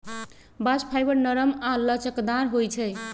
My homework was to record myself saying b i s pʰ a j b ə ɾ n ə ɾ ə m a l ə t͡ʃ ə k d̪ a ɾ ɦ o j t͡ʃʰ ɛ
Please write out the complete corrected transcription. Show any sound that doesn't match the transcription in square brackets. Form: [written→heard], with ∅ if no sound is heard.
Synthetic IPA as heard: b [i→a] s pʰ a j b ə ɾ n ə ɾ ə m a l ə t͡ʃ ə k d̪ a ɾ ɦ o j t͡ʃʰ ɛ